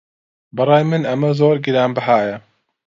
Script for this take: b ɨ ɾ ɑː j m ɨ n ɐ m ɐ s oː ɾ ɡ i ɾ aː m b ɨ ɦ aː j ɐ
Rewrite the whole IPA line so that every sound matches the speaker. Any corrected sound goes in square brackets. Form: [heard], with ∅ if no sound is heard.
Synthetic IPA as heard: b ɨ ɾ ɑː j m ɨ n ɐ m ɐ [z] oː ɾ ɡ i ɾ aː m b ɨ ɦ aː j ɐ